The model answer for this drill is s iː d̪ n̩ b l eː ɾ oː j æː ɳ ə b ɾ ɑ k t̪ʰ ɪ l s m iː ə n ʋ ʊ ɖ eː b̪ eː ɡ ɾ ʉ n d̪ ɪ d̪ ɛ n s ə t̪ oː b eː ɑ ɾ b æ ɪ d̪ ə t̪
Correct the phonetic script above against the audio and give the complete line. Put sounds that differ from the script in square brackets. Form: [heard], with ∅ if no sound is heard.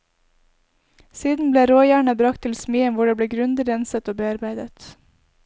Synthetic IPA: s iː d̪ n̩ b l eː ɾ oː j æː ɳ ə b ɾ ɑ k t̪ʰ ɪ l s m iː ə n ʋ ʊ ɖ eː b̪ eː ɡ ɾ ʉ n d̪ ɪ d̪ ɛ n s ə t̪ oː b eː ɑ ɾ b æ ɪ d̪ ə t̪